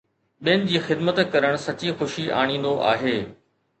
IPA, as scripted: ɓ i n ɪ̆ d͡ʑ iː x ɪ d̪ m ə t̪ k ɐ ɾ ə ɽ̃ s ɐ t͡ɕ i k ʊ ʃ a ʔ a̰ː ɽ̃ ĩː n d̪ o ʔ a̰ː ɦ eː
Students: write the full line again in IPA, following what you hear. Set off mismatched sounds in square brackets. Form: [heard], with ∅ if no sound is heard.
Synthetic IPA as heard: ɓ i n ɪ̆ d͡ʑ iː x ɪ d̪ m ə t̪ k ɐ ɾ ə ɽ̃ s ɐ t͡ɕ i [x] ʊ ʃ [i] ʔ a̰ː ɽ̃ ĩː n d̪ o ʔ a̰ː ɦ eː